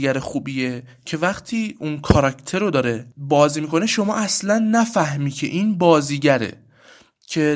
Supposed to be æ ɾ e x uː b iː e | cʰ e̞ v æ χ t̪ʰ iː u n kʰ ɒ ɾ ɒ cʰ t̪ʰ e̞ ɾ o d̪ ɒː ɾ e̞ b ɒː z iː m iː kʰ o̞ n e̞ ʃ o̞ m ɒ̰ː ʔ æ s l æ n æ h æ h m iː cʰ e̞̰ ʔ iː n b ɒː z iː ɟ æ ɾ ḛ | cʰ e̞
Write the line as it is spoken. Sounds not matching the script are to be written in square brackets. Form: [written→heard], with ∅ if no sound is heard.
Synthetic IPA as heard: æ ɾ e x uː b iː e | cʰ e̞ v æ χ t̪ʰ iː u n kʰ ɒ ɾ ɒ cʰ t̪ʰ e̞ ɾ o d̪ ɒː ɾ e̞ b ɒː z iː m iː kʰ o̞ n e̞ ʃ o̞ m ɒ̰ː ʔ æ s l æ [n→nː] æ [h→f] æ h m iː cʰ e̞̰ ʔ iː n b ɒː z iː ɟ æ ɾ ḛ | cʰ e̞